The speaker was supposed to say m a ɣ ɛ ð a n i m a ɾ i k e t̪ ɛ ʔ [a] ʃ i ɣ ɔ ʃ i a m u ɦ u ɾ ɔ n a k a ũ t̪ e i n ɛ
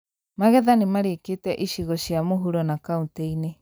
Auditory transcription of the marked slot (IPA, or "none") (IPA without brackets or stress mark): i